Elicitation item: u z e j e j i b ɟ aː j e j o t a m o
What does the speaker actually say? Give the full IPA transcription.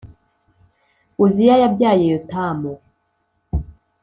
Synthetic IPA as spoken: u z i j a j a b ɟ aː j e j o t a m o